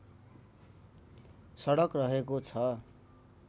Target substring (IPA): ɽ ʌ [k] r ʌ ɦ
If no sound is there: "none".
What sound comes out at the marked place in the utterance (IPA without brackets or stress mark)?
k